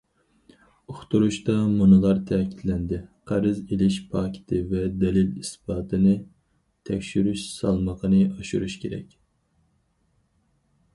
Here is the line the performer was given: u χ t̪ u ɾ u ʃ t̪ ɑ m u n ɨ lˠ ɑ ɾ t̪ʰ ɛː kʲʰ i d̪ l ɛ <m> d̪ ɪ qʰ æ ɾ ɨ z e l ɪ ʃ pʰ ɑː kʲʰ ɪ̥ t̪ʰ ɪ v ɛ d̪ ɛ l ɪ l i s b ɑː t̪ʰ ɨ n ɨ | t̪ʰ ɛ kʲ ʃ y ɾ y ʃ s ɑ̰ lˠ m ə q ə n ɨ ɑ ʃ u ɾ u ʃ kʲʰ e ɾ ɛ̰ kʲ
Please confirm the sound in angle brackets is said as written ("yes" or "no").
no